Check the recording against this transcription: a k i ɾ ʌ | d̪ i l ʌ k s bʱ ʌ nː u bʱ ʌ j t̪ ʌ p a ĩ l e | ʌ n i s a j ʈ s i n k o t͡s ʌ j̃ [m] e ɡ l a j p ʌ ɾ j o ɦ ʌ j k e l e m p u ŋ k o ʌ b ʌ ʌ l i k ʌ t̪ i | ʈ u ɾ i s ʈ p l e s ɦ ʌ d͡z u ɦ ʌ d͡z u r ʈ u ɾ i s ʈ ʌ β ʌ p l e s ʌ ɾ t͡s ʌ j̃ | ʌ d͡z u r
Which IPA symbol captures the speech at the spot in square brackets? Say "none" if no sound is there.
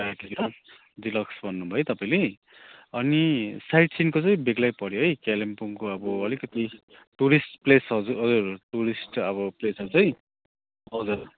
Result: b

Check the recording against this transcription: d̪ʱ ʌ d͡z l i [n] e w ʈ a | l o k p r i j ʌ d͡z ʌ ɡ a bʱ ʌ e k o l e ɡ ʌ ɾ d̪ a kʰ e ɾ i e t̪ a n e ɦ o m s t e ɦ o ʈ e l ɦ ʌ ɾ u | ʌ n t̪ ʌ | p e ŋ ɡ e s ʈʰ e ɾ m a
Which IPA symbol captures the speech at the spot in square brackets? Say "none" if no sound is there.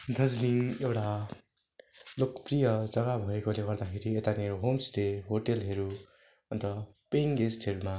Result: ŋ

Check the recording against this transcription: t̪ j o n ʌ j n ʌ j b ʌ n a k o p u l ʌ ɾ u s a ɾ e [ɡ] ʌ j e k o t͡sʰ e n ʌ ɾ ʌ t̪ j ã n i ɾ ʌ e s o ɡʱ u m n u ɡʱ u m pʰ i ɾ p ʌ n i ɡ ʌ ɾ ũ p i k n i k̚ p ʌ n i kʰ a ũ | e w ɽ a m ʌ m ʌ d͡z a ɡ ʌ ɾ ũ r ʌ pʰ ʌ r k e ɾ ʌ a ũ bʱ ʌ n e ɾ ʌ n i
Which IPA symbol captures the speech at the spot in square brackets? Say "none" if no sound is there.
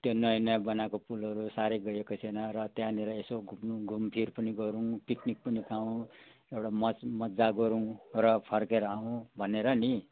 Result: ɡ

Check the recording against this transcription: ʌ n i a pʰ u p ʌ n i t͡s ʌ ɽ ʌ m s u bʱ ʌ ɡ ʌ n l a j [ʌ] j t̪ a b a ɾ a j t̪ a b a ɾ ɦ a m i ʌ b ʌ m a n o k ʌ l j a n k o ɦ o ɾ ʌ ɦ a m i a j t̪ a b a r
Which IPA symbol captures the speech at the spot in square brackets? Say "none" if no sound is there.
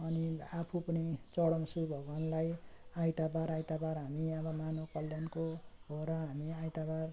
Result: a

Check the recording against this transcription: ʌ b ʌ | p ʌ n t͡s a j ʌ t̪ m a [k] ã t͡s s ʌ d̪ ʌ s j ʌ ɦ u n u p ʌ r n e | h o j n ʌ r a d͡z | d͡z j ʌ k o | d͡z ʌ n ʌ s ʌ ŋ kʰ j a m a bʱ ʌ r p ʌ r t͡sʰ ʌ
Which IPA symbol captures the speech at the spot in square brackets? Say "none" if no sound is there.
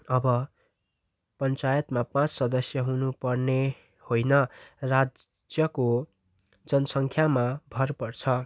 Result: p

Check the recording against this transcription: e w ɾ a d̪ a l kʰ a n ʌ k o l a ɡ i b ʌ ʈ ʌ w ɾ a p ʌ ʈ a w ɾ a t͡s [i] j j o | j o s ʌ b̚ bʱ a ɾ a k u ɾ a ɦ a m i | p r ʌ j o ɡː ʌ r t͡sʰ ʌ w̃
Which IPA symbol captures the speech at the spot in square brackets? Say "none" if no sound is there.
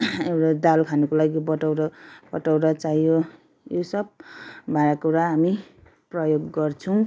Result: a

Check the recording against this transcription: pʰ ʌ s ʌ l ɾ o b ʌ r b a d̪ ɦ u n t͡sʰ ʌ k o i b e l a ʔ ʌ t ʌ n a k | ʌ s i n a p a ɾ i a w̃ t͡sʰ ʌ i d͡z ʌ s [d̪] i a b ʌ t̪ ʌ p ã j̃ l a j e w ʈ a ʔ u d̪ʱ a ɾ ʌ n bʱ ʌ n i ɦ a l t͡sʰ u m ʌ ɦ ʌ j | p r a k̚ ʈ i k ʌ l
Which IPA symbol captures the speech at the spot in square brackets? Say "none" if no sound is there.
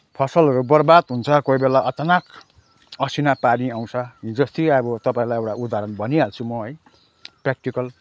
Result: t̪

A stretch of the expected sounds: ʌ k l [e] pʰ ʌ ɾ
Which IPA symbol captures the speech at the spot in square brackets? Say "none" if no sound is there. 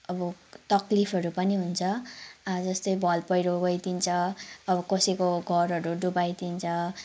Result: i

